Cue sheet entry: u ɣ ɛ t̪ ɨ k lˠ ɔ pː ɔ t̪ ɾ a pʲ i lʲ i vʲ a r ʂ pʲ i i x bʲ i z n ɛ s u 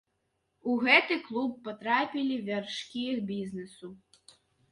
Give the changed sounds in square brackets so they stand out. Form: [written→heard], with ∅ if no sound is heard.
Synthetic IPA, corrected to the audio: u ɣ ɛ t̪ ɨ k lˠ [ɔ→u] pː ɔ t̪ ɾ a pʲ i lʲ i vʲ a r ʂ [pʲ→kʲ] i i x bʲ i z n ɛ s u